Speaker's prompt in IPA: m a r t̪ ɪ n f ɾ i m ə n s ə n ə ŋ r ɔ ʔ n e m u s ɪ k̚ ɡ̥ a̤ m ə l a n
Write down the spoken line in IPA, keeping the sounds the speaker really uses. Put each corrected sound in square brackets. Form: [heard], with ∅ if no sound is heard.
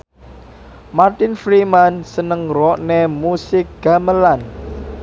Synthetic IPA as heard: m a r t̪ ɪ n f ɾ i m [a] n s ə n ə ŋ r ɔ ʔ n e m u s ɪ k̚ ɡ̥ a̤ m ə l a n